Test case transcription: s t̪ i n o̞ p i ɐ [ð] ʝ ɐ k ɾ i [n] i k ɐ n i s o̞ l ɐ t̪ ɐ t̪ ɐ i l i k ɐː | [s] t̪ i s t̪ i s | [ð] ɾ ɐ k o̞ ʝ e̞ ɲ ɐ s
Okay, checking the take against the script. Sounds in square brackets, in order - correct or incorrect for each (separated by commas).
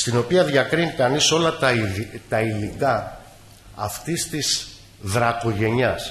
correct, correct, incorrect, correct